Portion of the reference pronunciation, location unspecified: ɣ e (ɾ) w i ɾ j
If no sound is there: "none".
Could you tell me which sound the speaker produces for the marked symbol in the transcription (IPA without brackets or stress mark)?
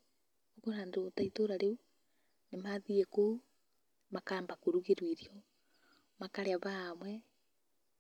ɾ